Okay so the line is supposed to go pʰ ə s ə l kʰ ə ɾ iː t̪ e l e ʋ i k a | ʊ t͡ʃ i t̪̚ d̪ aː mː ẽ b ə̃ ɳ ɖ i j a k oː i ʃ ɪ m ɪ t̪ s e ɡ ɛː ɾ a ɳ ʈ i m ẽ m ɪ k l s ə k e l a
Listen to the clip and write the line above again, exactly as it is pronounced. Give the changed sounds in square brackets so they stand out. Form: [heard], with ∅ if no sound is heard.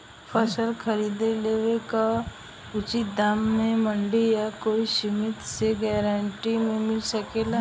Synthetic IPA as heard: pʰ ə s ə l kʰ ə ɾ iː [d̪] e l e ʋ [e] k a | ʊ t͡ʃ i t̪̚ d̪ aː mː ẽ [m] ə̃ ɳ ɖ i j a k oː i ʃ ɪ m ɪ t̪ s e ɡ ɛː ɾ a ɳ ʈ i m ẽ m ɪ [∅] l s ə k e l a